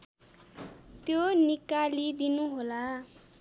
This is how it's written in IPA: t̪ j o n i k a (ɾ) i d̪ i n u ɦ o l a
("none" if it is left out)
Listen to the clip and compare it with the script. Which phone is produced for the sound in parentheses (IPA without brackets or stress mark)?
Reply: l